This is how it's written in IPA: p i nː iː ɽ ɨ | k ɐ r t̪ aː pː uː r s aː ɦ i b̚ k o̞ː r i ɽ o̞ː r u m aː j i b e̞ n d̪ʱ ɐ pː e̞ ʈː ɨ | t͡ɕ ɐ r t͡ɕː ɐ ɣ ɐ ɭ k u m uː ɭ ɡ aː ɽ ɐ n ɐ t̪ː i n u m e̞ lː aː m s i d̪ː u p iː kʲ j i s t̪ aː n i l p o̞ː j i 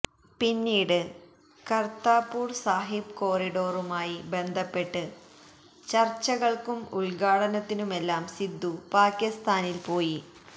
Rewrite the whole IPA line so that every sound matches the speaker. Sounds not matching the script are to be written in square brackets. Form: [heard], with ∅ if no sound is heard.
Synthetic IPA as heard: p i nː iː ɽ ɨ | k ɐ r t̪ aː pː uː r s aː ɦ i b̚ k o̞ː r i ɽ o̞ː r u m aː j i b e̞ n d̪ʱ ɐ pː e̞ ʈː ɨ | t͡ɕ ɐ r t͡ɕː ɐ ɣ ɐ ɭ k u m [u] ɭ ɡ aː ɽ ɐ n ɐ t̪ː i n u m e̞ lː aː m s i d̪ː u p [aː] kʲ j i s t̪ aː n i l p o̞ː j i